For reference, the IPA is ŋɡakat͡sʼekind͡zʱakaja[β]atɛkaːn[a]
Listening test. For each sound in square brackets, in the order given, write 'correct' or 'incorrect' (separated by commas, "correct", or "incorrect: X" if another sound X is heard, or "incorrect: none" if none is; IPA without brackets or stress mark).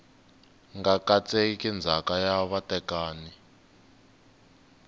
correct, incorrect: i